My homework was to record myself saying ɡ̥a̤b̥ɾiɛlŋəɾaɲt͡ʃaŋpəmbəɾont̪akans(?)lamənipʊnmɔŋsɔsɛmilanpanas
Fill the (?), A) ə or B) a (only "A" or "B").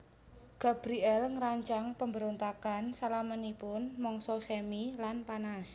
B